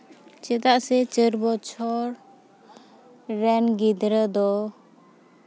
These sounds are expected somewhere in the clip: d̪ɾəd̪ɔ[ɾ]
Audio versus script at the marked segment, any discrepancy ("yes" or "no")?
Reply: yes